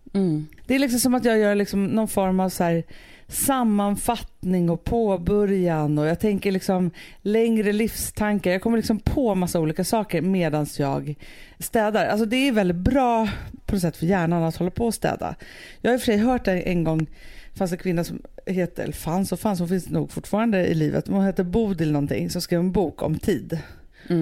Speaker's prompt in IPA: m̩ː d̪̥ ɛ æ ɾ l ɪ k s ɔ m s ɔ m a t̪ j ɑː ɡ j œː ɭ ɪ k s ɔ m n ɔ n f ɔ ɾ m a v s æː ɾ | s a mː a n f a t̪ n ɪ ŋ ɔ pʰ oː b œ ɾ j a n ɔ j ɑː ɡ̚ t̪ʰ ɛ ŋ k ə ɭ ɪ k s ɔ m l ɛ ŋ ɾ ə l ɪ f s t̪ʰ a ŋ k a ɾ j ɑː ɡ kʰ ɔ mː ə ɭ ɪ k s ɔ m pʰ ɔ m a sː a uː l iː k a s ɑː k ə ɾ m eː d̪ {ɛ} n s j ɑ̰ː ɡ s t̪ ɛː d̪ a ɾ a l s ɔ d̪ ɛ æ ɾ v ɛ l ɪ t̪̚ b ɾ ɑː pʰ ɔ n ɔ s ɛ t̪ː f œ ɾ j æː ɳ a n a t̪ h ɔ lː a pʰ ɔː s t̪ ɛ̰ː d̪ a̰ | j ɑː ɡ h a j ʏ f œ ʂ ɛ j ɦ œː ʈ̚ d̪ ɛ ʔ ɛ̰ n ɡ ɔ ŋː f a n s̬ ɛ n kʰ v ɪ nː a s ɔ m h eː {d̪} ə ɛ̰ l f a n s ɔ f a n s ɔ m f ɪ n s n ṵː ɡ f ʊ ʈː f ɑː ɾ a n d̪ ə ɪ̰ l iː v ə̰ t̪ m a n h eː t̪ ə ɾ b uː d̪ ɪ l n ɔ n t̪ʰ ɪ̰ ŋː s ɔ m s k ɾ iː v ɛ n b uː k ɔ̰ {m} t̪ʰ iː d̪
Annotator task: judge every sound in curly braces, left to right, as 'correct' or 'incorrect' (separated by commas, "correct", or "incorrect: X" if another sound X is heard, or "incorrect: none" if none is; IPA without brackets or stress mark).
incorrect: a, incorrect: t̪, correct